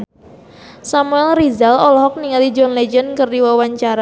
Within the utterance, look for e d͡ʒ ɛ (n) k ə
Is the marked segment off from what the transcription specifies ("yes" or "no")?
no